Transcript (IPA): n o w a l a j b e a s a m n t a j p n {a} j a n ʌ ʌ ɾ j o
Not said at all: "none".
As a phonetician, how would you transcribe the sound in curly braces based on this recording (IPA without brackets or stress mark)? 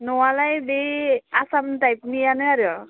i